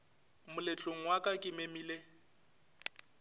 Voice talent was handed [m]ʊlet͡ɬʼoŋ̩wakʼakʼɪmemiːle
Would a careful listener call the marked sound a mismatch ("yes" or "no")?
no